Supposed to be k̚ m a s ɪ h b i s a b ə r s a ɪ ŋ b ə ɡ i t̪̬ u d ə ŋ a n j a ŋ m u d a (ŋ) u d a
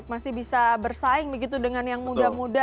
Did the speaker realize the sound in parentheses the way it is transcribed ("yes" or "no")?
no